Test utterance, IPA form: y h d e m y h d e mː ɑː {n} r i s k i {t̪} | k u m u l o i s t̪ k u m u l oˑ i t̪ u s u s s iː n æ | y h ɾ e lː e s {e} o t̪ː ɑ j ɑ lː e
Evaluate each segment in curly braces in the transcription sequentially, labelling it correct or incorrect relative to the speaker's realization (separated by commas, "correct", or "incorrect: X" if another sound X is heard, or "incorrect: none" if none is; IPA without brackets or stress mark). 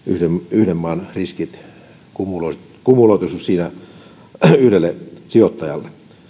correct, correct, incorrect: i